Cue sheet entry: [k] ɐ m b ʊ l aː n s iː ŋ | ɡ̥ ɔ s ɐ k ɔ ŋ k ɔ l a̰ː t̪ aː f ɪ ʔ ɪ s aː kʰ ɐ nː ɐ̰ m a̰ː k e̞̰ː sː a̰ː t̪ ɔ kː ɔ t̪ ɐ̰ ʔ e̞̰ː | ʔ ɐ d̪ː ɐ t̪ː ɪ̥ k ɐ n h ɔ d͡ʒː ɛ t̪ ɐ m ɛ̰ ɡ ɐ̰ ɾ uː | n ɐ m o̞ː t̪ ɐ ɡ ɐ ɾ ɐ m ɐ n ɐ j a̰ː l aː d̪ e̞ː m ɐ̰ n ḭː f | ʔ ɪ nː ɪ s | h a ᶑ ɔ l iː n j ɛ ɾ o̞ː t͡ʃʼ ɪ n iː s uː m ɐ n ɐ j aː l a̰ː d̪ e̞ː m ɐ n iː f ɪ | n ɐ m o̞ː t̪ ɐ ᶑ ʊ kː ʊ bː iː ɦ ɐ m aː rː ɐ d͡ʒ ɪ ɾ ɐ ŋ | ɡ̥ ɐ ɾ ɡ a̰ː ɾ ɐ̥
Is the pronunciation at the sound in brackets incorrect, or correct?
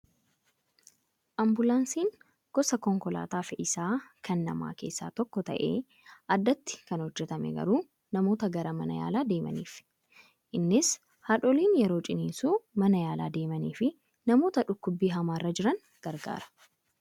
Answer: incorrect